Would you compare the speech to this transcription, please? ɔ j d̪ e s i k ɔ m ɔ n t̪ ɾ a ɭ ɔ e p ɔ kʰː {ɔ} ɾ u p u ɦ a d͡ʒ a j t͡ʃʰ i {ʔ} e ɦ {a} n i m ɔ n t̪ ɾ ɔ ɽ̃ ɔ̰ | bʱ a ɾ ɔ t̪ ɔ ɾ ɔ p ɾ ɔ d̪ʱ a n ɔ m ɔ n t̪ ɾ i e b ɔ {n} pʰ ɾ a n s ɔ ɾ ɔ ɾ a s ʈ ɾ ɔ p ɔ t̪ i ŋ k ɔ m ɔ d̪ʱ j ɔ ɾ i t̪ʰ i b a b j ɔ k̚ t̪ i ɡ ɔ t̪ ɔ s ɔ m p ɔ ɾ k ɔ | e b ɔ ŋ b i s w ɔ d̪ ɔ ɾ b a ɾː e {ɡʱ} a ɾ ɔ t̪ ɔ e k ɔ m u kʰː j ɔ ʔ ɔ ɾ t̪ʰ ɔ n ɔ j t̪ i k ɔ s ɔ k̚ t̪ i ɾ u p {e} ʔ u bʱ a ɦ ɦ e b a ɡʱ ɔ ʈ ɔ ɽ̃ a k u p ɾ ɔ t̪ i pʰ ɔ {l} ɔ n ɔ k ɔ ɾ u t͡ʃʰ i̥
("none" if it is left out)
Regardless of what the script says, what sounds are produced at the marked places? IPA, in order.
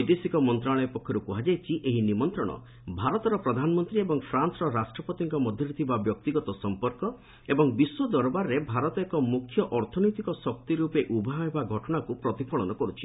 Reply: ɔ, ʔ, i, ŋ, bʱ, e, ɭ

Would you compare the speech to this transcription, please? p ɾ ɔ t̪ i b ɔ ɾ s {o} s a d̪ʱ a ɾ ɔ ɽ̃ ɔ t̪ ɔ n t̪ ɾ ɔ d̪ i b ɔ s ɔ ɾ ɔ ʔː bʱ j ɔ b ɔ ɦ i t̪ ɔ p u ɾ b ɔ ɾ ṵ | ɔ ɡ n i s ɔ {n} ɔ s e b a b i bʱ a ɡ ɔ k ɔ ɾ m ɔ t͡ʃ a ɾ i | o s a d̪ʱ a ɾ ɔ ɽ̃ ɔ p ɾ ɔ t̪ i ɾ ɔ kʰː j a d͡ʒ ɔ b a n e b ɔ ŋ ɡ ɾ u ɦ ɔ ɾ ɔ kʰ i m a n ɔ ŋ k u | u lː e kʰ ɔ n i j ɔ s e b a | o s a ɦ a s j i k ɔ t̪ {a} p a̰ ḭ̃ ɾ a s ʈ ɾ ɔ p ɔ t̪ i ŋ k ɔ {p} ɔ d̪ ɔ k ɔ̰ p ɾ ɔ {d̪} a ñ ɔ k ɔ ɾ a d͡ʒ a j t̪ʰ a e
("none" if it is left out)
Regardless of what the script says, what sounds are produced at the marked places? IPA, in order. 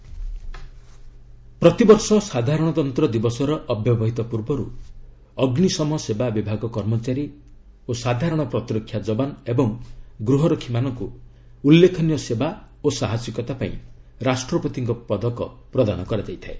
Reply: ɔ, m, a, p, d̪

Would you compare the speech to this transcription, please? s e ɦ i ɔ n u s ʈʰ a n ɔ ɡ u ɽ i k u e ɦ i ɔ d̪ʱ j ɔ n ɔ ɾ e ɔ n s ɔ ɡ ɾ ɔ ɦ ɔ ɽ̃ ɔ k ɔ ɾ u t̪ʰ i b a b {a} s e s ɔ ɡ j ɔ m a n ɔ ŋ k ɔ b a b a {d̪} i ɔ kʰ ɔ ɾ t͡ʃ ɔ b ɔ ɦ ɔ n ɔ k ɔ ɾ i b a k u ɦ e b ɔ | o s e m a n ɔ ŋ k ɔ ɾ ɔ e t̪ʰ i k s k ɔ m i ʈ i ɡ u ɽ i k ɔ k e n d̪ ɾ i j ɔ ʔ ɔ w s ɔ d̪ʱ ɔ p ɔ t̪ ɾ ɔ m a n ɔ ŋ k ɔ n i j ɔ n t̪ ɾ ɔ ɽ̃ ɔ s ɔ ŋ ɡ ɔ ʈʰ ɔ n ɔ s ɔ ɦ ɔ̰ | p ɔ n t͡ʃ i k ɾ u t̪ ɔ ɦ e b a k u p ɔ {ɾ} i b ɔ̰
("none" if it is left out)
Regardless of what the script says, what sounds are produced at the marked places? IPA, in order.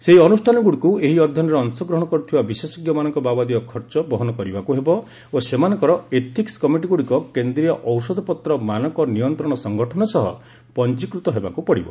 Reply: i, d̪, ɽ

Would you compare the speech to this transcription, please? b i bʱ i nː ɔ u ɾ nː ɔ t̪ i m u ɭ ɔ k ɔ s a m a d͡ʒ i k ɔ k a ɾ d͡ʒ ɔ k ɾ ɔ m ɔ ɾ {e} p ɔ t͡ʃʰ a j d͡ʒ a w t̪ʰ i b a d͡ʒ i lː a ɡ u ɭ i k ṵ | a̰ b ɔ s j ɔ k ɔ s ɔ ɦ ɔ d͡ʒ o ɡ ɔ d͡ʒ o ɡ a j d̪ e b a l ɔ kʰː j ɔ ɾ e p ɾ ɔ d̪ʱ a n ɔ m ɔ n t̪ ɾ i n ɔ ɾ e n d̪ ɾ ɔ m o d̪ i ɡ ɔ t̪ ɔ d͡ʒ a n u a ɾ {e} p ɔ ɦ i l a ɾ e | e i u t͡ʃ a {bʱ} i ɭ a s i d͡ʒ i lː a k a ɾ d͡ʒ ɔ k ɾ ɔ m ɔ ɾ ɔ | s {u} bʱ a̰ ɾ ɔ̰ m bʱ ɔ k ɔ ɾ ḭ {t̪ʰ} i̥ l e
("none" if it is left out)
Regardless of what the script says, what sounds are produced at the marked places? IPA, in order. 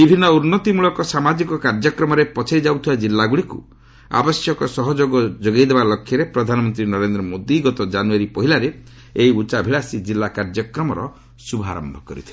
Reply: e, i, bʱ, u, t̪ʰ

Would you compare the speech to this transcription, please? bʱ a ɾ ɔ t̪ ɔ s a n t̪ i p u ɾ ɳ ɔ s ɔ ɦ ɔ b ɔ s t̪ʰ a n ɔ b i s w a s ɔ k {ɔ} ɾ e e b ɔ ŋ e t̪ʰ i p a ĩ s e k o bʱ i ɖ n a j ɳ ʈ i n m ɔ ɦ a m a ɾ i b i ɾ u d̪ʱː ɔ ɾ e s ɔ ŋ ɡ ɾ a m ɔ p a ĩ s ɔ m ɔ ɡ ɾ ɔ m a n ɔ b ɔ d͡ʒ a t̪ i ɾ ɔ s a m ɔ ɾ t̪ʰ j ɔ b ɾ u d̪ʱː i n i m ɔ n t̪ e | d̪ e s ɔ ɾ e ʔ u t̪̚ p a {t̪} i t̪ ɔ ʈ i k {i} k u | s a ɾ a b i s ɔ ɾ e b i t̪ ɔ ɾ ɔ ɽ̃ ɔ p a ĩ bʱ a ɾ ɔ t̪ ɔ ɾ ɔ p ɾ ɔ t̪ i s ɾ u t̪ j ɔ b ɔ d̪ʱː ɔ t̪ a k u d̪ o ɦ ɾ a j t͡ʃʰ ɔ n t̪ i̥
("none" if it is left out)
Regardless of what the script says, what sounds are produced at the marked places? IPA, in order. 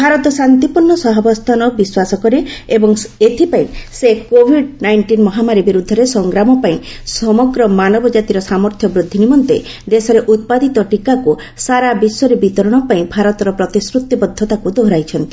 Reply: ɔ, d̪, a

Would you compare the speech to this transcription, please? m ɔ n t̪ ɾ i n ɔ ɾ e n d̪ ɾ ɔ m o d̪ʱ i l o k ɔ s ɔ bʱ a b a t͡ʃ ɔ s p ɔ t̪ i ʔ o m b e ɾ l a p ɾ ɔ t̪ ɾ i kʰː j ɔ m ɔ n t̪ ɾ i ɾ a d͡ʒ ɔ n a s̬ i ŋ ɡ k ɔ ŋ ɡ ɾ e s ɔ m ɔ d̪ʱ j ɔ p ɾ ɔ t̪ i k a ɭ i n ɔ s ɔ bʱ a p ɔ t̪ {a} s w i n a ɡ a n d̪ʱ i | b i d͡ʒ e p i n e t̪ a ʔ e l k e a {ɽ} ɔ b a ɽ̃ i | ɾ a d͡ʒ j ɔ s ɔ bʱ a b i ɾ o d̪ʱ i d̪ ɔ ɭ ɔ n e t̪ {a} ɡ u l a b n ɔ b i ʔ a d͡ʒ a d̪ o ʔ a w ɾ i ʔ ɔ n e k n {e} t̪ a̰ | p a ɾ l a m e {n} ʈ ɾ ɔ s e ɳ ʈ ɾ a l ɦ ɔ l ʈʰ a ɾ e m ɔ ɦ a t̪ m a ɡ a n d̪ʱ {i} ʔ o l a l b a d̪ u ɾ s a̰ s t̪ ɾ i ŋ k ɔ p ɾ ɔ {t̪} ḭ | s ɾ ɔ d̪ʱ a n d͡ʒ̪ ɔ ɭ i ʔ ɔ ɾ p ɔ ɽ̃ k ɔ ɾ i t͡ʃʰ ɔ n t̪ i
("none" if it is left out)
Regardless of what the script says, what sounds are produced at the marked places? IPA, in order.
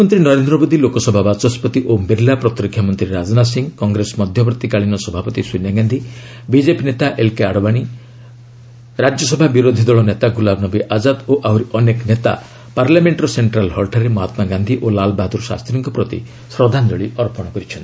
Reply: i, ɽ, a, e, ɳ, i, t̪

